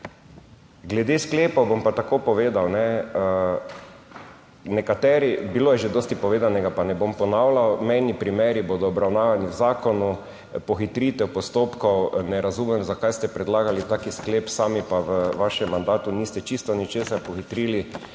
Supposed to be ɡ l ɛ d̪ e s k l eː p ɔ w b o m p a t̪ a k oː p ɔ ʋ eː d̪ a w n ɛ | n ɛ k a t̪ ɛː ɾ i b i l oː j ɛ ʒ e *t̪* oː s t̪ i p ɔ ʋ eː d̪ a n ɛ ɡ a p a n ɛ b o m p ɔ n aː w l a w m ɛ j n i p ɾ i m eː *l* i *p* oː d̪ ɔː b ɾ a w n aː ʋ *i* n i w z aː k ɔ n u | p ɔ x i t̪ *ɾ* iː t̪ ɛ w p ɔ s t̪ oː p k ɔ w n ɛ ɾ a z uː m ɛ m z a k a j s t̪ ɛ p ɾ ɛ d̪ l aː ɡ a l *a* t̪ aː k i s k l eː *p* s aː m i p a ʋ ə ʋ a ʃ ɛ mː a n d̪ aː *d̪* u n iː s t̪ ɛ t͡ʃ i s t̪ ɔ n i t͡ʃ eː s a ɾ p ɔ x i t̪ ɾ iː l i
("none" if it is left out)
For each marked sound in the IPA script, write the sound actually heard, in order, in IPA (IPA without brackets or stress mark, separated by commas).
d̪, ɾ, b, a, ɾ, i, p, t̪